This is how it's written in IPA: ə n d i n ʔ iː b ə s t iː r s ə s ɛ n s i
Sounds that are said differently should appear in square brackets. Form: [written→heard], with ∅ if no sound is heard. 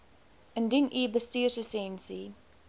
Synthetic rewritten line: ə n d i n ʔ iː b ə s t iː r s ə s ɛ n s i